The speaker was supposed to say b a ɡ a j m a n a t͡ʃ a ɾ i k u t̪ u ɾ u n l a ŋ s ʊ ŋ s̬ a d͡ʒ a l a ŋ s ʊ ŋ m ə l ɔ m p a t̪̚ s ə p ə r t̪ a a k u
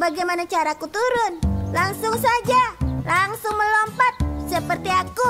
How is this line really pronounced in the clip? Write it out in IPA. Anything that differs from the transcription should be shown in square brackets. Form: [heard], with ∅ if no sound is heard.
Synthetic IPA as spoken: b a ɡ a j m a n a t͡ʃ a ɾ [a] k u t̪ u ɾ [ʊ] n l a ŋ s ʊ ŋ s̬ a d͡ʒ a l a ŋ s ʊ ŋ m ə l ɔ m p a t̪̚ s ə p ə r t̪ [i] a k u